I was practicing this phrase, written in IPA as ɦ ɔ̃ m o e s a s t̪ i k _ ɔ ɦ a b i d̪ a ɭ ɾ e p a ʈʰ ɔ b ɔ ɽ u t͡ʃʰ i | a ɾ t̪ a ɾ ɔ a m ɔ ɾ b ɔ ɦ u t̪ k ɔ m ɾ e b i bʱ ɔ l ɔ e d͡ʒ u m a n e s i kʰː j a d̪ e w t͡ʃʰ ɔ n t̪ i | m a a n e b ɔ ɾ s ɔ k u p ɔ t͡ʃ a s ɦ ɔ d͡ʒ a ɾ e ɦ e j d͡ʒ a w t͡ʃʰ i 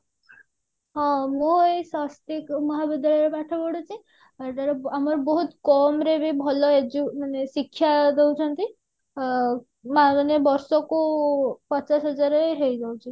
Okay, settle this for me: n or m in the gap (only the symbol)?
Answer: m